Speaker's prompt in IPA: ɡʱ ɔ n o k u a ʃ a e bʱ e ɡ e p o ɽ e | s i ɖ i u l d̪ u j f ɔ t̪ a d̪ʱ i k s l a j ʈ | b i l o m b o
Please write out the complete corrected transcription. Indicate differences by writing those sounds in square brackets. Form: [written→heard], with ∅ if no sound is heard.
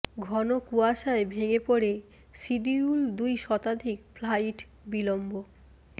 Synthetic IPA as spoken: ɡʱ ɔ n o k u a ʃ a e bʱ e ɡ e p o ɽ e | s i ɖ i u l d̪ u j [f→ʃ] ɔ t̪ a d̪ʱ i k [s→f] l a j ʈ | b i l o m b o